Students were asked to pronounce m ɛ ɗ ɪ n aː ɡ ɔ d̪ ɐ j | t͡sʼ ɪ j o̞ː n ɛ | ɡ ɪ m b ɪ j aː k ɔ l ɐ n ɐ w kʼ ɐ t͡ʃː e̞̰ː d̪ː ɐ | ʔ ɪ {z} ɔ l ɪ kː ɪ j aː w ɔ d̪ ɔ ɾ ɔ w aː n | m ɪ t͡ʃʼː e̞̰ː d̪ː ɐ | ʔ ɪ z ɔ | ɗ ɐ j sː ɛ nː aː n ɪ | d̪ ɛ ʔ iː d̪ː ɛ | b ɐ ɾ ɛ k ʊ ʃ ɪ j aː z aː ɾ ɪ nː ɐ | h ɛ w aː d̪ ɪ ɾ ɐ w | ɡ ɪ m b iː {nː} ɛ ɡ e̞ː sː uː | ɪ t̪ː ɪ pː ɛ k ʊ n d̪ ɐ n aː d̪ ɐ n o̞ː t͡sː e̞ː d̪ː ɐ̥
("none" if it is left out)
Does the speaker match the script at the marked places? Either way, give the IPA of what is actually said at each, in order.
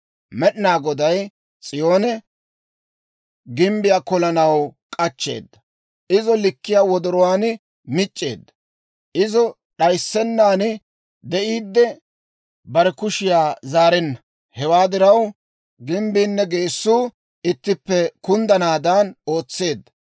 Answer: z, nː

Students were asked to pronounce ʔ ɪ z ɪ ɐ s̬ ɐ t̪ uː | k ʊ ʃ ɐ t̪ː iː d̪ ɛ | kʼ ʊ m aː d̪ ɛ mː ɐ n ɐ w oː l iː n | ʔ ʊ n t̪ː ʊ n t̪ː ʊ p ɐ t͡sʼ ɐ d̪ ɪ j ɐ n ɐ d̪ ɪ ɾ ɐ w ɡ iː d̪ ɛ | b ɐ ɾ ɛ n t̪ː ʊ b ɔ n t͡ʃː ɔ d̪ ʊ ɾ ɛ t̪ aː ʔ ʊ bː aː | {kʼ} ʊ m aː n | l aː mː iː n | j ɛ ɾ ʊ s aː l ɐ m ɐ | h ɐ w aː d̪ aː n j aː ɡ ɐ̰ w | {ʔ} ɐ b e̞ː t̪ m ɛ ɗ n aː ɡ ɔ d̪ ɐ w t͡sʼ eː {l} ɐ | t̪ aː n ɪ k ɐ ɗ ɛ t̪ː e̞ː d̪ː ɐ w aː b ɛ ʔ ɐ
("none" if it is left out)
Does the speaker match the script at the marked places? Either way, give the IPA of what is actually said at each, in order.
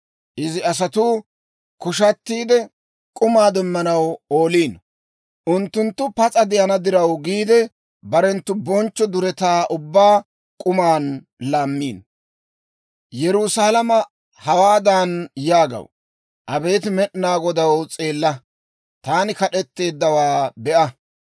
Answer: kʼ, ʔ, lː

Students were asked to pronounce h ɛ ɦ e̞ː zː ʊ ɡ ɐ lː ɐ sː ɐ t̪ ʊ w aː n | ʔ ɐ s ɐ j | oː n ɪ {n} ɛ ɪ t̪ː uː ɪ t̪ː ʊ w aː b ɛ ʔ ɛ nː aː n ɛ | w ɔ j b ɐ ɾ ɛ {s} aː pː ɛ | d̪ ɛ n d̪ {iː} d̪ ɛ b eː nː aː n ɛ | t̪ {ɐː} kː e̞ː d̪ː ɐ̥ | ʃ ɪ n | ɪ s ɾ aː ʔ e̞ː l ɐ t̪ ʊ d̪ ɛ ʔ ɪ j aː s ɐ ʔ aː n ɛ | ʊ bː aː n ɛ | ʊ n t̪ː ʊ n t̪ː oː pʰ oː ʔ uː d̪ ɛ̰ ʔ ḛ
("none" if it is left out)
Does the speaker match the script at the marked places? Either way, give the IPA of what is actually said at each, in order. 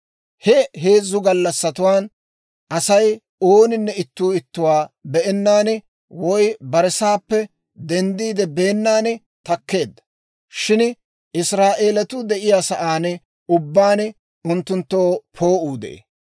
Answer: nː, s, iː, ɐ

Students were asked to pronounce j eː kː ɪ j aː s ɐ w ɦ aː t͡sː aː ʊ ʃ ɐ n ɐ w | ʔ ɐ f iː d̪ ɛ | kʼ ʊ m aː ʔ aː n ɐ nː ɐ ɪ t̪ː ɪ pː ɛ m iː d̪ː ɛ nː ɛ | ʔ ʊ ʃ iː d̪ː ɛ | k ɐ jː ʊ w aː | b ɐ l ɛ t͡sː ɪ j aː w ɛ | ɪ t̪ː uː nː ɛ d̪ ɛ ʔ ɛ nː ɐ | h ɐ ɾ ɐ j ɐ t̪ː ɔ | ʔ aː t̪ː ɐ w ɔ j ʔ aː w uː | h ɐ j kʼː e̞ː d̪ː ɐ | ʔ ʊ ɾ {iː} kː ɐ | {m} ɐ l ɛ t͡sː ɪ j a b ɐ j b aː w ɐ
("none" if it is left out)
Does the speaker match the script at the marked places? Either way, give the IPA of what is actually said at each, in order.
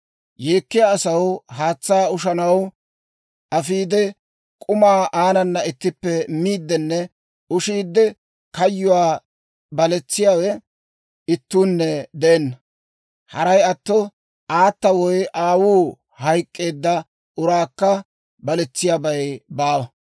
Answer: aː, b

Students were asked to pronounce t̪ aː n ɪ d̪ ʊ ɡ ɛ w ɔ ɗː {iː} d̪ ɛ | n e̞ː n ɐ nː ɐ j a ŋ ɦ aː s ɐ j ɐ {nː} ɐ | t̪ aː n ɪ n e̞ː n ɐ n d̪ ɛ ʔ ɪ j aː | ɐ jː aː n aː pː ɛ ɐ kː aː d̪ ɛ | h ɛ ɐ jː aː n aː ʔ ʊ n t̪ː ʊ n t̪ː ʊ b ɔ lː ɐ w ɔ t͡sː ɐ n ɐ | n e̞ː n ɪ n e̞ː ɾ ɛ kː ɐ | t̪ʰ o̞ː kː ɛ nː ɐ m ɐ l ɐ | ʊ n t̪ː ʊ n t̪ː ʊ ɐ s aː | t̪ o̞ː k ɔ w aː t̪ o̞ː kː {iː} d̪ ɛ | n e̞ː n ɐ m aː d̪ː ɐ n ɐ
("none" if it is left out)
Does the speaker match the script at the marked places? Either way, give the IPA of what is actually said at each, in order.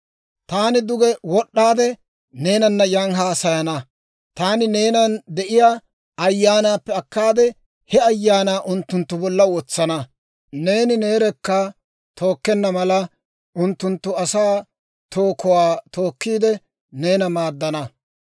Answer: aː, n, iː

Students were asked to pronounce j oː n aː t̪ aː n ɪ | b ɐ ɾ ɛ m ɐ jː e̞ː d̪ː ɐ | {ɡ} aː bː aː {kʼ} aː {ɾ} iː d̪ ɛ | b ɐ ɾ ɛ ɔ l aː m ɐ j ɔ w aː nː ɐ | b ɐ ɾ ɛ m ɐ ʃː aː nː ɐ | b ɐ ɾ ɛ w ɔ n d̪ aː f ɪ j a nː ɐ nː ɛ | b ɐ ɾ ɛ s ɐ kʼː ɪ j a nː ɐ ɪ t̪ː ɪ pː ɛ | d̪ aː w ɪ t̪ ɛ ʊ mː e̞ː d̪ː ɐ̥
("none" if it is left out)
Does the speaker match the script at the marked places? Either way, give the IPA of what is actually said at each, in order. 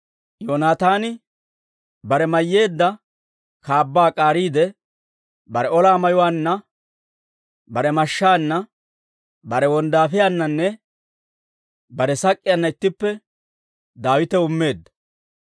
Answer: k, kʼ, ɾ

